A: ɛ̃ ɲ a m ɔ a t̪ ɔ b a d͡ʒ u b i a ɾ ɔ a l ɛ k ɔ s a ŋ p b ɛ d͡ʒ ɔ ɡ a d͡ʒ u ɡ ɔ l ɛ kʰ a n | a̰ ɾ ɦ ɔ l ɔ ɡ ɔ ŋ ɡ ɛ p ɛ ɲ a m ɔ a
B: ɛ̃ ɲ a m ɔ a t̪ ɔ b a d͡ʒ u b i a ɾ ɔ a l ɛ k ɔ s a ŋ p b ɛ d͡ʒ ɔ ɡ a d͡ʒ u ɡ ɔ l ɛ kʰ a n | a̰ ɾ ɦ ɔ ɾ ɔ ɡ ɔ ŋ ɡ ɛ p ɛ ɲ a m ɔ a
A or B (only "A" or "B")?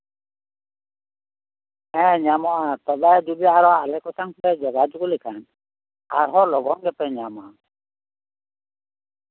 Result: A